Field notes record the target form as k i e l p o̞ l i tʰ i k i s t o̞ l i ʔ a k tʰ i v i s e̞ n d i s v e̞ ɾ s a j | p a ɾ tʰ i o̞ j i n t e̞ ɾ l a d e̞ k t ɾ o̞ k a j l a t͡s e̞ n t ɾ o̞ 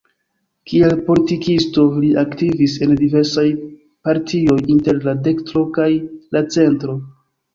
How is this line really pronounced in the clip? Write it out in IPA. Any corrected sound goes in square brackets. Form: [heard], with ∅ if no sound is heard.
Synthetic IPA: k i e l p o̞ l i [t] i k i s t o̞ l i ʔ a k [t] i v i s e̞ n d i [∅] v e̞ ɾ s a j | p a ɾ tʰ i o̞ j i n t e̞ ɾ l a d e̞ k t ɾ o̞ k a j l a t͡s e̞ n t ɾ o̞